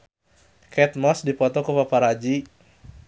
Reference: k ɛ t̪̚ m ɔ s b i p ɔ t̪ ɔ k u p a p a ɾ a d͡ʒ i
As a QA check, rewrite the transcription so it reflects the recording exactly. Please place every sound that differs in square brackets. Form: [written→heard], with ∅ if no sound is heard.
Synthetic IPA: k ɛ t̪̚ m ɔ s [b→d] i p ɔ t̪ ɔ k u p a p a ɾ a d͡ʒ i